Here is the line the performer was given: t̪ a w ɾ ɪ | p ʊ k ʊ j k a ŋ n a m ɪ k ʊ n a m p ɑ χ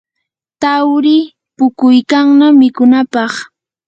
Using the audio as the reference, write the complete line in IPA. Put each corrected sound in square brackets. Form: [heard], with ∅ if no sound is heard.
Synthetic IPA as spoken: t̪ a w ɾ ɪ | p ʊ k ʊ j k a ŋ n a m ɪ k ʊ n a [∅] p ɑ χ